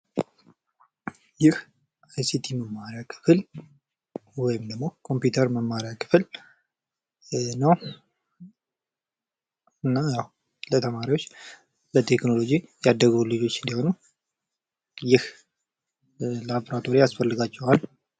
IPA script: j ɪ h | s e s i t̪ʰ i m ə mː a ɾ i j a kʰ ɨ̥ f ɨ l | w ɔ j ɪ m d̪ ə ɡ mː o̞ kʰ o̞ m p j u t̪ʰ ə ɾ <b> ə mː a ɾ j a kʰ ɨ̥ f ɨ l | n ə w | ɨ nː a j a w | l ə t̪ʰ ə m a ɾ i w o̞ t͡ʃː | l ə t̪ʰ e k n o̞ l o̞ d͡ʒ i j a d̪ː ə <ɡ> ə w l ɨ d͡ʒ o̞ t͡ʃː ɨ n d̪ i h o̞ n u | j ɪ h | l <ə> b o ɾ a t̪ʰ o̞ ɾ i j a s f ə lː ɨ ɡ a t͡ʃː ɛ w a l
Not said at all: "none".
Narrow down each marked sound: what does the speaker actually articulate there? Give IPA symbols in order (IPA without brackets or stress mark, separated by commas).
m, ɡ, a